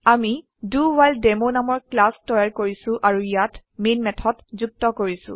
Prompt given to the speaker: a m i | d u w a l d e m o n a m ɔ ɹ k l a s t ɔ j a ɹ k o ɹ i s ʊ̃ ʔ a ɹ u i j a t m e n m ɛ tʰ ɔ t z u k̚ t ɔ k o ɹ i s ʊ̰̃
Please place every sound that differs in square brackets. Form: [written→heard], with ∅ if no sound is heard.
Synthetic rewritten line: a m i | d u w a l d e m o n a m ɔ ɹ k l a s t ɔ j a ɹ k o ɹ i s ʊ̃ ʔ a ɹ u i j a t m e n m ɛ tʰ ɔ t z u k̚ t ɔ k o ɹ i s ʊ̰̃

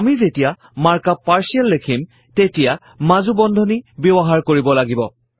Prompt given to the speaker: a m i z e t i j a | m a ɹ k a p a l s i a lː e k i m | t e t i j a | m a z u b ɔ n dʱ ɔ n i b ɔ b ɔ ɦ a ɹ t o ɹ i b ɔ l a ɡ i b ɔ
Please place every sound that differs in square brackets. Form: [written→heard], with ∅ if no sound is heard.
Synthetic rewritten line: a m i z e t i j a | m a ɹ k a p a [l→ɹ] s i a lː e [k→kʰ] i m | t e t i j a | m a z u b ɔ n dʱ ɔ n i b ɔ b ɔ ɦ a ɹ [t→k] o ɹ i b ɔ l a ɡ i b ɔ

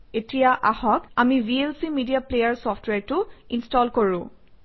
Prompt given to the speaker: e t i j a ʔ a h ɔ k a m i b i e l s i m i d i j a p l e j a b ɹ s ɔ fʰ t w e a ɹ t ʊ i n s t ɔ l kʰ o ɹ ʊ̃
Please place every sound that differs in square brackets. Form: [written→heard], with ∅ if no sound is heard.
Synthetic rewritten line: e t i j a ʔ a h ɔ k a m i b i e l s i m i d i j a p l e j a [b→∅] ɹ s ɔ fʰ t w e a ɹ t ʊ i n s t ɔ l [kʰ→k] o ɹ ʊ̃

